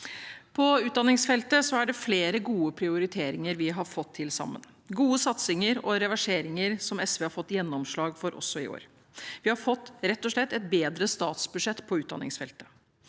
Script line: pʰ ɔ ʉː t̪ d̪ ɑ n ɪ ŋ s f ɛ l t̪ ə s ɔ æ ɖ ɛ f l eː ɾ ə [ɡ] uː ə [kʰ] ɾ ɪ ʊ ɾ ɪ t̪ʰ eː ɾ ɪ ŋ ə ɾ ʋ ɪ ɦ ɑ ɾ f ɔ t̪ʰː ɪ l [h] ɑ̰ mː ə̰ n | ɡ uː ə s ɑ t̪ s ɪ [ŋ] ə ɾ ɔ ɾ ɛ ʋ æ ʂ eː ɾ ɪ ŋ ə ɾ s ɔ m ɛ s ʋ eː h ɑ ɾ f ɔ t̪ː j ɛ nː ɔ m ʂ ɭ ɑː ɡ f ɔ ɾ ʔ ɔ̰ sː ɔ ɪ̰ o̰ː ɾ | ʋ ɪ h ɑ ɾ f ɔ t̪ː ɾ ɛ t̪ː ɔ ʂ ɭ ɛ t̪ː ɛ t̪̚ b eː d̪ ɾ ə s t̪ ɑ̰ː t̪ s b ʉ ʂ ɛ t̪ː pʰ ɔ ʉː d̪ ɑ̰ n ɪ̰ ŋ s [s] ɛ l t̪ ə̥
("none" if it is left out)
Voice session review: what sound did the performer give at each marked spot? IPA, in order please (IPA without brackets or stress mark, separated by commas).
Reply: ɡ, pʰ, s, ŋ, f